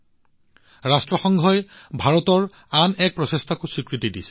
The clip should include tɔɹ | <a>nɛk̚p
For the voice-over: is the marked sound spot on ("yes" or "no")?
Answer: yes